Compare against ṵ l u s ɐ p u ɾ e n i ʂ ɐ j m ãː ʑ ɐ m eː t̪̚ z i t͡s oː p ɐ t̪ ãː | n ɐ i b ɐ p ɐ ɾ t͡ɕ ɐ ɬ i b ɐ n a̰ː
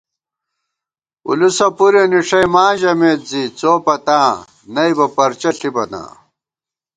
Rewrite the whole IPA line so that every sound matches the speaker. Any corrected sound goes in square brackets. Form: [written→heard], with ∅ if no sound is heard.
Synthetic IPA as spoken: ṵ l u s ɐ p u ɾ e n i ʂ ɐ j m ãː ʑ ɐ m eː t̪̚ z i t͡s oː p ɐ t̪ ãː | n ɐ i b ɐ p ɐ ɾ t͡ɕ ɐ ɬ i b ɐ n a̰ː